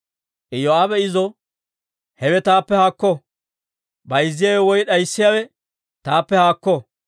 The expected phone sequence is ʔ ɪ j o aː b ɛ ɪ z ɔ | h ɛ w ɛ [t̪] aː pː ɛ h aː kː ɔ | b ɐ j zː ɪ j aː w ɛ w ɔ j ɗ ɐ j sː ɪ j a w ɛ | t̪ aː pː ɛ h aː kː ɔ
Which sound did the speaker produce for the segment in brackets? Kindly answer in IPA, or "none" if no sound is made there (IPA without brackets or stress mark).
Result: t̪